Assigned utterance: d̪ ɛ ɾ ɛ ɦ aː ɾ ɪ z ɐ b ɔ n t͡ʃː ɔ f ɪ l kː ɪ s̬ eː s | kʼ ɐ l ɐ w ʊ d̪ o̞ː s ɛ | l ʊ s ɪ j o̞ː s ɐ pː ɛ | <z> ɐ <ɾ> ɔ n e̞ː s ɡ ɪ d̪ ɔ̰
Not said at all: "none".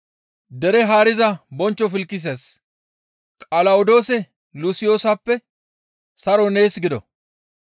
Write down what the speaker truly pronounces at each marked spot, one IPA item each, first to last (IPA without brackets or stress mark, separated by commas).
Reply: s, ɾ